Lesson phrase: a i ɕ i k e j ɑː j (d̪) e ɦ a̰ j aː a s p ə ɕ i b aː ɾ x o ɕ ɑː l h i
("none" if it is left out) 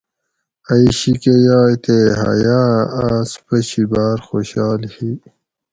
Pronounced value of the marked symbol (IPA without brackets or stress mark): t̪